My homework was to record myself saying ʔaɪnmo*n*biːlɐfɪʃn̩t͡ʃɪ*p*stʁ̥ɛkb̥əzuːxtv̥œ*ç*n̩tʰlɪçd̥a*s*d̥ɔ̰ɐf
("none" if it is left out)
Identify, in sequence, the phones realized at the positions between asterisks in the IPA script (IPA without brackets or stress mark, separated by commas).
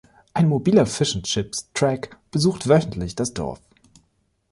none, p, ç, s